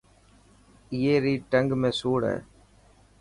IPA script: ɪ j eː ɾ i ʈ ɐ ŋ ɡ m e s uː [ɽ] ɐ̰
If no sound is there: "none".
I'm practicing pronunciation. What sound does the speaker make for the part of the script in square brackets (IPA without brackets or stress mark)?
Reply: ɽ